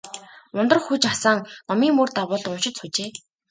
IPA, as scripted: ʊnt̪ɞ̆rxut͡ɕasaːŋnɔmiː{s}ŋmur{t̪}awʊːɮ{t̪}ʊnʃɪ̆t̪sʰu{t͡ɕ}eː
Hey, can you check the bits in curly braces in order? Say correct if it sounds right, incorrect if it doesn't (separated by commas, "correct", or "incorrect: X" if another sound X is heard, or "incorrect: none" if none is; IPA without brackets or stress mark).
incorrect: none, correct, correct, correct